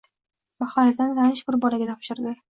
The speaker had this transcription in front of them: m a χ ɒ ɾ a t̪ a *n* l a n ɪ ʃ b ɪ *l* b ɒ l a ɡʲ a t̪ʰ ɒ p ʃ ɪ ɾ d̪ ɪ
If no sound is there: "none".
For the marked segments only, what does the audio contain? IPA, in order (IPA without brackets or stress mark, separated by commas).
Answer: n, ɾ